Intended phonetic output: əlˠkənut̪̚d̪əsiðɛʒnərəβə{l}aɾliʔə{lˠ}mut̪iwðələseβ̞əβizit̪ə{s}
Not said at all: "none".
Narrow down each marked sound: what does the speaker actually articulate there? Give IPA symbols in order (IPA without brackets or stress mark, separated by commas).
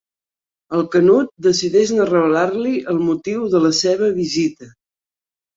l, lˠ, none